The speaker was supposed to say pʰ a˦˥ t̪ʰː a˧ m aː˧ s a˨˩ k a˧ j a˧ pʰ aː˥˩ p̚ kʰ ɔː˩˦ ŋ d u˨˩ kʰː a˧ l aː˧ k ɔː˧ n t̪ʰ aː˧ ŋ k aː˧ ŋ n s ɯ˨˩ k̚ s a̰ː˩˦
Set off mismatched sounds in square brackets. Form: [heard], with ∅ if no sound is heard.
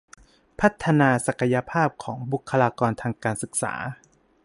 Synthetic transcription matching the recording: pʰ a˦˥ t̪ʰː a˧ [n] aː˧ s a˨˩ k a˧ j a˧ pʰ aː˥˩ p̚ kʰ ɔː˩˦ ŋ [b] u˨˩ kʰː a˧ l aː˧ k ɔː˧ n t̪ʰ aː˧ ŋ k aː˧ [∅] n s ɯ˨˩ k̚ s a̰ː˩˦